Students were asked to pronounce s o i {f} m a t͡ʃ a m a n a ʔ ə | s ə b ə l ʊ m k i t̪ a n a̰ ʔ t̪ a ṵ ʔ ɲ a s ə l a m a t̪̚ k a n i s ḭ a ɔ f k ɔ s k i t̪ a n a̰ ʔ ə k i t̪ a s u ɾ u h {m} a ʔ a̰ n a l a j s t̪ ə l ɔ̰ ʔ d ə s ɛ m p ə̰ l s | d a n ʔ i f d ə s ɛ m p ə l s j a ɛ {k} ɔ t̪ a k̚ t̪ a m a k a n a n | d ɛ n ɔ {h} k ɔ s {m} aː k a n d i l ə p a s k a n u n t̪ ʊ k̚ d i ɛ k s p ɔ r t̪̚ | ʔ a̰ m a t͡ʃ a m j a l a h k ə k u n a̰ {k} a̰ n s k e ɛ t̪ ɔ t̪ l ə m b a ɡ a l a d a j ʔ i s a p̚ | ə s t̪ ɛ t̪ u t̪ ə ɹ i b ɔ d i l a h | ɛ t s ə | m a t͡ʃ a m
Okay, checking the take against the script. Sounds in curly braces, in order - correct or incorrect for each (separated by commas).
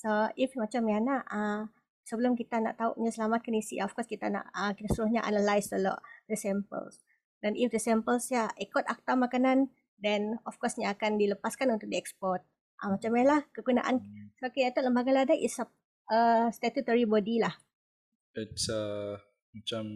correct, incorrect, correct, incorrect, incorrect, incorrect